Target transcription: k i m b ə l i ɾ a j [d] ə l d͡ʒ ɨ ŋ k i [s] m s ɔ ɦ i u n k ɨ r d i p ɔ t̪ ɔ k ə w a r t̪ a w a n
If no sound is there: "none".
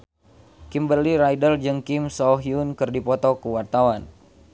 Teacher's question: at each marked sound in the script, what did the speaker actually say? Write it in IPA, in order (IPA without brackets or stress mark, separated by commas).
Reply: d, none